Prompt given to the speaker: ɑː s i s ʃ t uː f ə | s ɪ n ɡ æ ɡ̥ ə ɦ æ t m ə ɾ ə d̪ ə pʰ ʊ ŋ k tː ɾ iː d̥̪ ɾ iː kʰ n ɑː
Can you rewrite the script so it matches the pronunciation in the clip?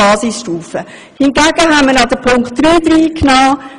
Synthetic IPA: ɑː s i s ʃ t uː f ə | h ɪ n ɡ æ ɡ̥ ə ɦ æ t m ə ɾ ɑ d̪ ə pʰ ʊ ŋ k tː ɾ yː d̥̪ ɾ iː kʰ n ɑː